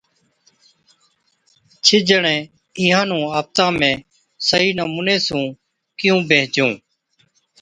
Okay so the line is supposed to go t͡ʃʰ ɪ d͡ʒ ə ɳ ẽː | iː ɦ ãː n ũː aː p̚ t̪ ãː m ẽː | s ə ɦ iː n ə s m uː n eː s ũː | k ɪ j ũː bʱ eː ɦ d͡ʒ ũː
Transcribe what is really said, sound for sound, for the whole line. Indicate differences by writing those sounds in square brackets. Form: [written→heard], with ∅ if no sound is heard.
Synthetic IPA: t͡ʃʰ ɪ d͡ʒ ə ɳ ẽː | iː ɦ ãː n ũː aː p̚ t̪ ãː m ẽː | s ə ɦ iː n ə [s→∅] m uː n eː s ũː | k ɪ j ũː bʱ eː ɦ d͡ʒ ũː